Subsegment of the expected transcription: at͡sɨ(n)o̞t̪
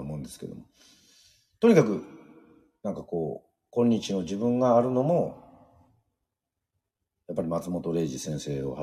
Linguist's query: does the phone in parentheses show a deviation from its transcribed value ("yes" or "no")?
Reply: yes